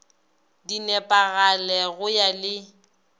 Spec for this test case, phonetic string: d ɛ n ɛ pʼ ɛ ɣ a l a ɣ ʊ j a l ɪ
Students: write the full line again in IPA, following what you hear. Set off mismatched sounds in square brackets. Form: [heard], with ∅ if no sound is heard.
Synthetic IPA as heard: d [i] n ɛ pʼ [a] ɣ a l [ɛ] ɣ ʊ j a l ɪ